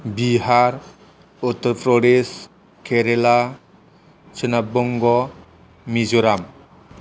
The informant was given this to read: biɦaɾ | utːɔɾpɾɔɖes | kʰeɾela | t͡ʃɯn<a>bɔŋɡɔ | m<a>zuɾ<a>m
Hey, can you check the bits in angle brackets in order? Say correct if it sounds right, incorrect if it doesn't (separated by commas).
correct, incorrect, correct